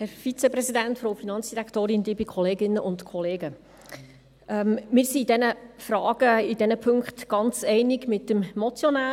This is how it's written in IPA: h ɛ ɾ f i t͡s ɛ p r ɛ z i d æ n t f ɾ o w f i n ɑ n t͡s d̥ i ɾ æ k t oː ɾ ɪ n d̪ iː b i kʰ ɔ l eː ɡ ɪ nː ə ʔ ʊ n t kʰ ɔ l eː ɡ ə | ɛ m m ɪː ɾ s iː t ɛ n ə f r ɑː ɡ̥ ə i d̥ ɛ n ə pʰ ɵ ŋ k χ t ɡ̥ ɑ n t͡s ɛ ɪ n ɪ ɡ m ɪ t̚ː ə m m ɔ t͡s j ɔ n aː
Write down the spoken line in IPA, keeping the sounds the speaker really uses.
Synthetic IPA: h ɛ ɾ f i t͡s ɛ p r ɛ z i d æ n t f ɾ o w f i n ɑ n t͡s d̥ i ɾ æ k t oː ɾ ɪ n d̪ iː b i kʰ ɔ l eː ɡ ɪ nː ə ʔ ʊ n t kʰ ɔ l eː ɡ ə | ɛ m m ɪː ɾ s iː d ɛ n ə f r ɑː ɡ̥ ə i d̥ ɛ n ə pʰ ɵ ŋ k χ t ɡ̥ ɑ n t͡s ɛ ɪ n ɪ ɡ m ɪ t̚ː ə m m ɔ t͡s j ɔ n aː